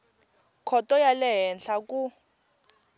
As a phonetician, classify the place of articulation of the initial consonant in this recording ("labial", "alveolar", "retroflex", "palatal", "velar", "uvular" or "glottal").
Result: velar